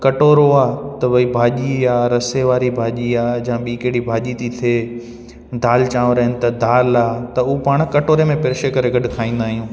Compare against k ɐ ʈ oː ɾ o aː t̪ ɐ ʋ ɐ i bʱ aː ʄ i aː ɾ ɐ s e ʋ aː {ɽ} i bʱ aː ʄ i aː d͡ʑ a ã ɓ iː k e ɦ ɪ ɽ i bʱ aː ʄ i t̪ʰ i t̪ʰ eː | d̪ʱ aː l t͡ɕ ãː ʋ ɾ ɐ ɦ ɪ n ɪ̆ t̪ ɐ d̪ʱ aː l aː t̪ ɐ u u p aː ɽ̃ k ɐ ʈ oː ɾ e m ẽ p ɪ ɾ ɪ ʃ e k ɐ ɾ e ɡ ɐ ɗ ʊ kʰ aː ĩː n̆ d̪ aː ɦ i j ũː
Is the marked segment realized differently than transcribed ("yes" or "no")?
yes